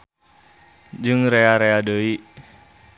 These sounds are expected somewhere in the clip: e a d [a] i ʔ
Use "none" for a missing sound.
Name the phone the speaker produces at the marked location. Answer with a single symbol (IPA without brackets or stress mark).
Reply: ə